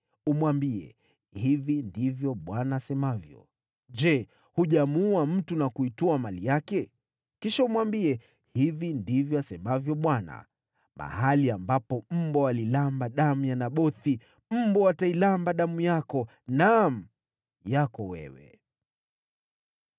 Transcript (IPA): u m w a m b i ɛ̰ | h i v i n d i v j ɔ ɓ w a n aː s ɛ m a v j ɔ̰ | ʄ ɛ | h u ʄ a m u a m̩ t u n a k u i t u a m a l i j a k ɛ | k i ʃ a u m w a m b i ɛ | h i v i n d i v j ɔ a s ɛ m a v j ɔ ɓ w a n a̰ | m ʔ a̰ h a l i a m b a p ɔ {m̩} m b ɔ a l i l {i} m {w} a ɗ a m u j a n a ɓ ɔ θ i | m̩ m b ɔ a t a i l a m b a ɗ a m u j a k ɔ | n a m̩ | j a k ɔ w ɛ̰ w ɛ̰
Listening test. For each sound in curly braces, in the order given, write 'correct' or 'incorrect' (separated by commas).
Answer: correct, incorrect, incorrect